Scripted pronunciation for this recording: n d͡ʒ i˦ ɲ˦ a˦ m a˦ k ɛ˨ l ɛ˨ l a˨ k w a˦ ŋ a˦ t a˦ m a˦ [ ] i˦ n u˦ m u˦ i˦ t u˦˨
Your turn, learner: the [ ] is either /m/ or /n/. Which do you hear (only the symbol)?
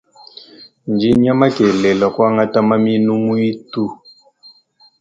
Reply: m